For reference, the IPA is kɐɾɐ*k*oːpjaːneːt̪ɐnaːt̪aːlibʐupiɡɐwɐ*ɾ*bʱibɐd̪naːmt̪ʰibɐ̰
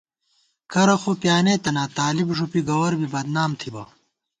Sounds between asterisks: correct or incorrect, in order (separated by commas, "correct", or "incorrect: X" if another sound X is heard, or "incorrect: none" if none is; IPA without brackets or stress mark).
incorrect: x, correct